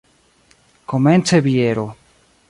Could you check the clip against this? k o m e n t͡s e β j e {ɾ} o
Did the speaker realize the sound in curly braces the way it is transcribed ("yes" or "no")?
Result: yes